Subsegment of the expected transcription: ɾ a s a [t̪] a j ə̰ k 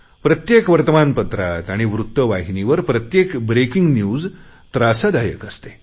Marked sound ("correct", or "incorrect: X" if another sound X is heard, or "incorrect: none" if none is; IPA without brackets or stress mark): incorrect: d̪